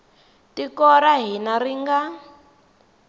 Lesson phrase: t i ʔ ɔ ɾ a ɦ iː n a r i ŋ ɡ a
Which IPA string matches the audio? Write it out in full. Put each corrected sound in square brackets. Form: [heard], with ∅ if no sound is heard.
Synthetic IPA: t i [k] ɔ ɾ a ɦ [i] n a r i ŋ ɡ a

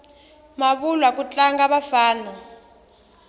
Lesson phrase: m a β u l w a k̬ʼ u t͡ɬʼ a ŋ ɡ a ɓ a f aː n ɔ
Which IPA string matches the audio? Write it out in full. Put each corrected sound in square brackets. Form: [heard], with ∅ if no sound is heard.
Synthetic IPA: m a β u l w a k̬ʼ u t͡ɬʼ a ŋ ɡ a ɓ a f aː n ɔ

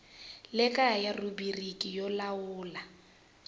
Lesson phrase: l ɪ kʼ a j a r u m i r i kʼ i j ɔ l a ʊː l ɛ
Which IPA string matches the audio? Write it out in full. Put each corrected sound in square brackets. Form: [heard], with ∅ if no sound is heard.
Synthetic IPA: l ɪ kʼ a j a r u [b] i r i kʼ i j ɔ l a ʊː l [a]

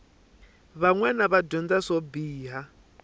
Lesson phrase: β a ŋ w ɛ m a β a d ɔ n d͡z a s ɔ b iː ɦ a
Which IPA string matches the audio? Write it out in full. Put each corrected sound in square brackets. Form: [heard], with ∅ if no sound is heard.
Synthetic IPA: β a ŋ w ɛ [n] a β a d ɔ n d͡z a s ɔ b iː ɦ a

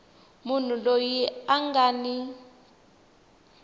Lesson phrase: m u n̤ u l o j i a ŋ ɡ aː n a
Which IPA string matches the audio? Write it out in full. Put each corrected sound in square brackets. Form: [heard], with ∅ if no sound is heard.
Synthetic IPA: m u n̤ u l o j i a ŋ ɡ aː n [i]

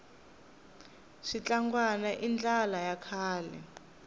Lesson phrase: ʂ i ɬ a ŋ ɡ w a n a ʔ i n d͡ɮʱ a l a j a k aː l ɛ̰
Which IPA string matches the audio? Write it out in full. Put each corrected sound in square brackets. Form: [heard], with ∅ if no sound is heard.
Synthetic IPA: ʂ i [t͡ɬ] a ŋ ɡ w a n a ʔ i n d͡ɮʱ a l a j a [kʰ] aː l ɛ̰

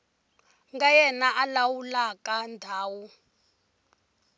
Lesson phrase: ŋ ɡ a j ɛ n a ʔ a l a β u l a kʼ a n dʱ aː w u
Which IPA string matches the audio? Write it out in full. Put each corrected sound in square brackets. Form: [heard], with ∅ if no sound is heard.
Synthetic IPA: ŋ ɡ a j ɛ n a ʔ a l a [w] u l a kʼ a n dʱ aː w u

